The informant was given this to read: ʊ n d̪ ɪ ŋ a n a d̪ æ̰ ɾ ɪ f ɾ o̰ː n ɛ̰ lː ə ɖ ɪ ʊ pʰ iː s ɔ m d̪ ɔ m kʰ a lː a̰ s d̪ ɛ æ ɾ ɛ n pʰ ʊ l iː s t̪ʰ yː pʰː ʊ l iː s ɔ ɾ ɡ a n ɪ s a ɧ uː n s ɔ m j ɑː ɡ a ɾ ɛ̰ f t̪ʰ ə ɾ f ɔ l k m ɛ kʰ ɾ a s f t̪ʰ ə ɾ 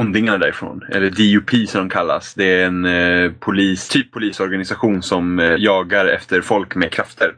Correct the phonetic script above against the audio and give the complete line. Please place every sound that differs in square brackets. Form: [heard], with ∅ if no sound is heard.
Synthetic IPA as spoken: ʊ n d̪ ɪ ŋ a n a d̪ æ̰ ɾ ɪ f ɾ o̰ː n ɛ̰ lː ə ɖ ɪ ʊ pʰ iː s ɔ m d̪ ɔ m kʰ a lː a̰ s d̪ ɛ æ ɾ ɛ n pʰ ʊ l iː s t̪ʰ yː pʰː ʊ l iː s ɔ ɾ ɡ a n ɪ s a ɧ uː n s ɔ m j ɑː ɡ a ɾ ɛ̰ f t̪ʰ ə ɾ f ɔ l k m ɛ kʰ ɾ a [∅] f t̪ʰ ə ɾ